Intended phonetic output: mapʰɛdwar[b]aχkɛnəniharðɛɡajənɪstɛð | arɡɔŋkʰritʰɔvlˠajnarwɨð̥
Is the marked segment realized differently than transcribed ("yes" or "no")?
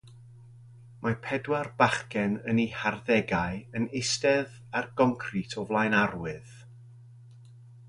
no